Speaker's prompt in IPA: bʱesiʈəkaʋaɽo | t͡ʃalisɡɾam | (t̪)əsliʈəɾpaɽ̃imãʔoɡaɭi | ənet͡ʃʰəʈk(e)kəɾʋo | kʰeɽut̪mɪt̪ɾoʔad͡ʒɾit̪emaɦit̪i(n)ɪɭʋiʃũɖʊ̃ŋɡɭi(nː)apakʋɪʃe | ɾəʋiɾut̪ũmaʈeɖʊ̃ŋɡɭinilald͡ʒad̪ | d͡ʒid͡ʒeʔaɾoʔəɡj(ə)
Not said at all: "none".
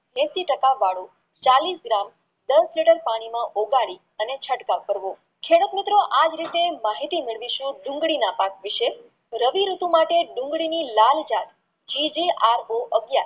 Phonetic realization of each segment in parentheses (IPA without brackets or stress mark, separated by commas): d̪, a, m, n, a